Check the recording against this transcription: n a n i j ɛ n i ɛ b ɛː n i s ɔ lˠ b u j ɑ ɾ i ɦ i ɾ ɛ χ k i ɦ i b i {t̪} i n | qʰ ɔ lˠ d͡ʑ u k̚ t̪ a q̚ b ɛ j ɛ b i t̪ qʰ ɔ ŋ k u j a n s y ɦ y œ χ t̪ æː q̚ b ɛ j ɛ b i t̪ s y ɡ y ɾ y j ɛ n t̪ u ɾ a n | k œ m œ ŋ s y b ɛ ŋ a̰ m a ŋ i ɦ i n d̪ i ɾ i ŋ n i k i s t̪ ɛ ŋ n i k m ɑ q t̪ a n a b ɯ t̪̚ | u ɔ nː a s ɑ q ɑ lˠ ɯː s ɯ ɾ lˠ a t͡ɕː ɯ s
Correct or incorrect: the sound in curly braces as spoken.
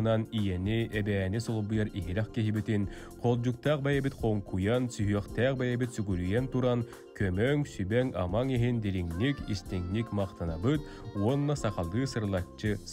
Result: correct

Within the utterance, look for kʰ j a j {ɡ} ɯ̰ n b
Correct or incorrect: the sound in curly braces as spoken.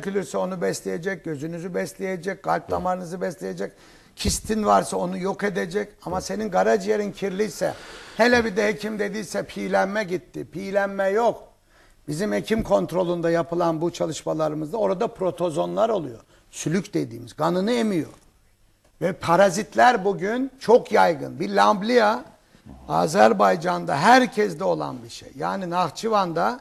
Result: correct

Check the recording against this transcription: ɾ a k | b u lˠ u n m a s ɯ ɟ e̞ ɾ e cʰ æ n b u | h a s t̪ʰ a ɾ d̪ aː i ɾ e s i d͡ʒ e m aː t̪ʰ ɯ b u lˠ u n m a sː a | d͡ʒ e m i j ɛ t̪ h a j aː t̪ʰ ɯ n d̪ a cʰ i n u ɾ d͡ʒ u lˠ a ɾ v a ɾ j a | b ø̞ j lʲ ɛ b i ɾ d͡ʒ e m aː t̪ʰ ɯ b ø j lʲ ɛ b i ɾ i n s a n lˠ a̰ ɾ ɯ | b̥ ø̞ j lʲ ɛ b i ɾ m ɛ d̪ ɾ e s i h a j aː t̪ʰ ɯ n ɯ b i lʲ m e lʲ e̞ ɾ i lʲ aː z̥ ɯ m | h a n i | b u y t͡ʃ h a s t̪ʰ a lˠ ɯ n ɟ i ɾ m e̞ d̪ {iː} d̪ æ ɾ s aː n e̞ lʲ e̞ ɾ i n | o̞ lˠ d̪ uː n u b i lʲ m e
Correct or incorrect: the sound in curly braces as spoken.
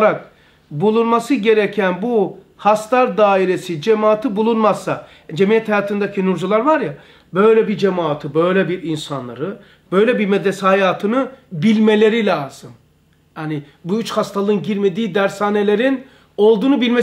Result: correct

